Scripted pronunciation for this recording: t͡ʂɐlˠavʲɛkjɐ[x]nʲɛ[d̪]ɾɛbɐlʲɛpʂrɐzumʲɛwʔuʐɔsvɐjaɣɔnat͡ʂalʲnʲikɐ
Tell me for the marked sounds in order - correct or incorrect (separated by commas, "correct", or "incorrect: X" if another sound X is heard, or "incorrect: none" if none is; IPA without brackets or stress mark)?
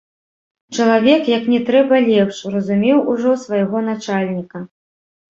incorrect: k, incorrect: t̪